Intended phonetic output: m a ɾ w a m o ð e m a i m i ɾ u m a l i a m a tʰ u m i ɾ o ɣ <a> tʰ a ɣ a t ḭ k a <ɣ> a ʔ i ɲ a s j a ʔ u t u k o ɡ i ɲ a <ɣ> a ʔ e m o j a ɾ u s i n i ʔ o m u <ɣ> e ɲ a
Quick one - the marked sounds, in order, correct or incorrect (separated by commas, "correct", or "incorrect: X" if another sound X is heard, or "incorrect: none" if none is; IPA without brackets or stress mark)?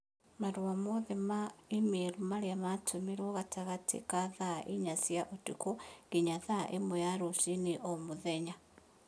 correct, incorrect: ð, incorrect: ð, incorrect: ð